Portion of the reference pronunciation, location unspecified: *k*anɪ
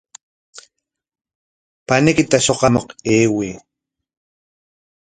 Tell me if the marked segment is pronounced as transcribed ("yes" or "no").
no